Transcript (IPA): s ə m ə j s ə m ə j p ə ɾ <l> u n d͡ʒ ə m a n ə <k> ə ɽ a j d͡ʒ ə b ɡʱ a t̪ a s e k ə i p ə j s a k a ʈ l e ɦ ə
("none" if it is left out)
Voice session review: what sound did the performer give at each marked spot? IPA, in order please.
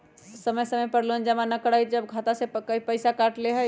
l, k

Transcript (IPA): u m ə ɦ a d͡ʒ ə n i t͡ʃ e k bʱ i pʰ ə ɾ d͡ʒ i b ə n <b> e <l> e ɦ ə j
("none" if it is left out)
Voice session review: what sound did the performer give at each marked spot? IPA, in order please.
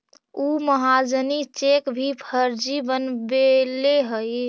b, l

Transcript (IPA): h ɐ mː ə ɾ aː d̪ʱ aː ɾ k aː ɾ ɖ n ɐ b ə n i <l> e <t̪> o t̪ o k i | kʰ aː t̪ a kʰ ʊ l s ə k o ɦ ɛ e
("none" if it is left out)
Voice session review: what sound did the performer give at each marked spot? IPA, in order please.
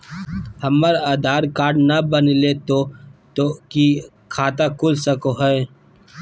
l, t̪

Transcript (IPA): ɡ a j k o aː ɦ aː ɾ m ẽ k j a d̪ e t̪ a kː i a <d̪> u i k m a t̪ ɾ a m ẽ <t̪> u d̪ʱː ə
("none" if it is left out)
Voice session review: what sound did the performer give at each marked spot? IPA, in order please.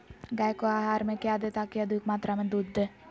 d̪, d̪

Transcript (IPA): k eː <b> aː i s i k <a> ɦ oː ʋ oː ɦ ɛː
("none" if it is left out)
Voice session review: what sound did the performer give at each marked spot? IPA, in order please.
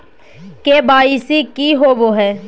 b, i

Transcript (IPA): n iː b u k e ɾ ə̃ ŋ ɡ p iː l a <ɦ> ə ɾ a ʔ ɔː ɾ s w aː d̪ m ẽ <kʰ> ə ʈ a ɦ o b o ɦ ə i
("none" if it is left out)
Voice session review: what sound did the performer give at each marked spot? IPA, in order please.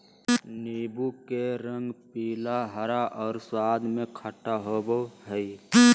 ɦ, kʰ

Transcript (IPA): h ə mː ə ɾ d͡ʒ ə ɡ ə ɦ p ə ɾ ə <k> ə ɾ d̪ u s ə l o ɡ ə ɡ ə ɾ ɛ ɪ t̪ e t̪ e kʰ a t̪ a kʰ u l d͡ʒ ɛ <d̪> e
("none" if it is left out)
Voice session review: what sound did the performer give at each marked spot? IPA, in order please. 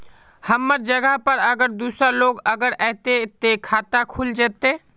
ɡ, t̪

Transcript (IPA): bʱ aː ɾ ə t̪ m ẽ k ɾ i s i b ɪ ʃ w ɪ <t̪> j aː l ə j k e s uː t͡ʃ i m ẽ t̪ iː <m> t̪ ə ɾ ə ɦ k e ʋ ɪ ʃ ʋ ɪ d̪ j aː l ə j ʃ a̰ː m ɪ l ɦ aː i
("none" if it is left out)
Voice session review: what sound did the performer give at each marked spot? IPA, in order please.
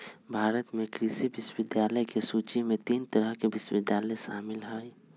d̪, n

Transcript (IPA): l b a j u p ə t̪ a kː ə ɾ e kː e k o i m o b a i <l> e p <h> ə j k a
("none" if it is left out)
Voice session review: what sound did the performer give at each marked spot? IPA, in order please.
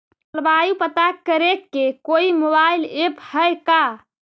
l, h

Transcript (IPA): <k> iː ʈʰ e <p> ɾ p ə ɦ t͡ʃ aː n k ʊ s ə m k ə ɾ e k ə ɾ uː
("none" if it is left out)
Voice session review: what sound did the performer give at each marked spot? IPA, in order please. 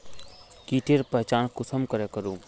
k, none

